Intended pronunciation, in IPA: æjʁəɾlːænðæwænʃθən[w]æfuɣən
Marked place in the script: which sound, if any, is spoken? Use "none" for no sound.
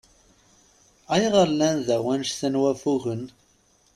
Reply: w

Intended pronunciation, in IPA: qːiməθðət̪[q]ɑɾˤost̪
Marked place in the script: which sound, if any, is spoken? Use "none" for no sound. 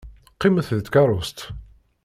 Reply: k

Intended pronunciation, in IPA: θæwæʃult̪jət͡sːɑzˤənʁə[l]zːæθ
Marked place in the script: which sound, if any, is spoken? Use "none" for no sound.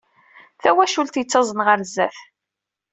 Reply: ɾ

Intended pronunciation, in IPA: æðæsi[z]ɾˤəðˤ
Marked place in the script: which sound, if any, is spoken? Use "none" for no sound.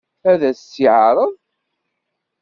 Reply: ʕ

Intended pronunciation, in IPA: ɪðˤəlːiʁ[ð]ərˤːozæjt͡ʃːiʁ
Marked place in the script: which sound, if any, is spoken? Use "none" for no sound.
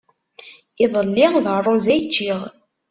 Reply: ð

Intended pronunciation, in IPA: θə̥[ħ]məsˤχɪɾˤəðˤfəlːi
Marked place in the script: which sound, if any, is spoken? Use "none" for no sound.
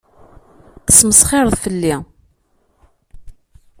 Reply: s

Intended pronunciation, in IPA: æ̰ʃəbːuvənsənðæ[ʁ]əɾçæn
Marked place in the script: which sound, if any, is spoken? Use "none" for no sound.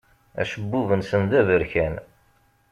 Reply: v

